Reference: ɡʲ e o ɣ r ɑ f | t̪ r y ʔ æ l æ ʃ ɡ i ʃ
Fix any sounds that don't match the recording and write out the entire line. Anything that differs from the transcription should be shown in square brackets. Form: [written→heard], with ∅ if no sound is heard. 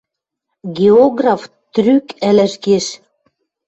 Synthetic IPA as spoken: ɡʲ e o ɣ r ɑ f | t̪ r y [ʔ→k] æ l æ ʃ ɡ [i→e] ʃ